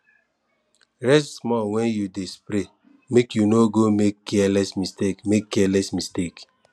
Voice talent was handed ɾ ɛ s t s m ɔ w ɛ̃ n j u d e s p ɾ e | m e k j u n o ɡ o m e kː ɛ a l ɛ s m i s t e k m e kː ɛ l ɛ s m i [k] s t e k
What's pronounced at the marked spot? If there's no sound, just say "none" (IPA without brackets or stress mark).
none